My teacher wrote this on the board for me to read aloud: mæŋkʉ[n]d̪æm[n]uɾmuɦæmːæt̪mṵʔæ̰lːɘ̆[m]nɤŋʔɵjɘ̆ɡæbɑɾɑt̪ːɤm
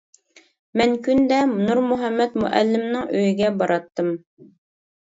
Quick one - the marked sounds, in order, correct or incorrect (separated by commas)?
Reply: correct, correct, correct